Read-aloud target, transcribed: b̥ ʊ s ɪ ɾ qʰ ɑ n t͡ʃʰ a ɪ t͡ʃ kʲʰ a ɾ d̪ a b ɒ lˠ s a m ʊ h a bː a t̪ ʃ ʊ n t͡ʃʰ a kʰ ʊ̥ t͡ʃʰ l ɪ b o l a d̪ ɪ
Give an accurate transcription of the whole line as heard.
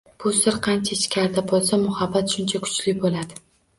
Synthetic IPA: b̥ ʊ s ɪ ɾ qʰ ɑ n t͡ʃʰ a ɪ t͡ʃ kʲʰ a ɾ d̪ a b ɒ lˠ s a m ʊ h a bː a t̪ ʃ ʊ n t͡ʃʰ a kʰ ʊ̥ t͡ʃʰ l ɪ b o l a d̪ ɪ